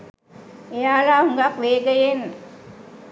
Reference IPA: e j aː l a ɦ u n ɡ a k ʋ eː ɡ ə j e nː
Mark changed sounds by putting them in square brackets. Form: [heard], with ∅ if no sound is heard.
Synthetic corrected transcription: e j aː l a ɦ u [ŋ] ɡ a k ʋ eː ɡ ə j e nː